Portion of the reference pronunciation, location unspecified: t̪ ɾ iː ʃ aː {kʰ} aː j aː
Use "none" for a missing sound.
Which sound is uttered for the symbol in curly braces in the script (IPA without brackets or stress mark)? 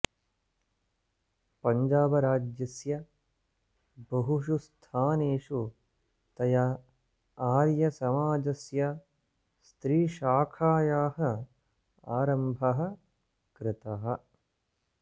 kʰ